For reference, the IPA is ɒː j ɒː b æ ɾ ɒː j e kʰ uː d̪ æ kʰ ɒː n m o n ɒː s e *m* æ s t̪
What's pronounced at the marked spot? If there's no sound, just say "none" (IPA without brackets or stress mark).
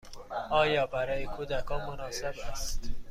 b